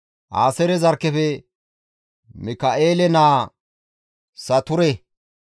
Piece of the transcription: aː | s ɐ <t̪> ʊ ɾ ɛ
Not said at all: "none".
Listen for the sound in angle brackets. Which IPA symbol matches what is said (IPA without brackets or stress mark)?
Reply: t̪